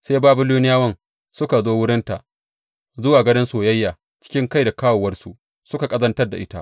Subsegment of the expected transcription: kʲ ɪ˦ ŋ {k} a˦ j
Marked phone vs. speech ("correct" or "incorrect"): correct